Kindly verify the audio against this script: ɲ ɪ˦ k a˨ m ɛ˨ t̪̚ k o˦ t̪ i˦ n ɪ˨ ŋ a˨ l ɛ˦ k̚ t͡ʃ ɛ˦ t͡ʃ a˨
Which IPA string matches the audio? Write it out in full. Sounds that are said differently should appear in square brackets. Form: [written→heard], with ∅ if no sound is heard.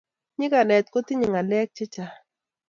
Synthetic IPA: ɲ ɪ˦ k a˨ [m→n] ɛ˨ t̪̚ k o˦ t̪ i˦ [n→ɲ] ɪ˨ ŋ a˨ l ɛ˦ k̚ t͡ʃ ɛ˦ t͡ʃ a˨